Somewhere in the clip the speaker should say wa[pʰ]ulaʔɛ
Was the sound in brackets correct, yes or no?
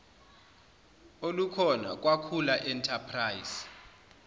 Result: no